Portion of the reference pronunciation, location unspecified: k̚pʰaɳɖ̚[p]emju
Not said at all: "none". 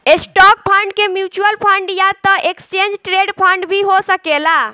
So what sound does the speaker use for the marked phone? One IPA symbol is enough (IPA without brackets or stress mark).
k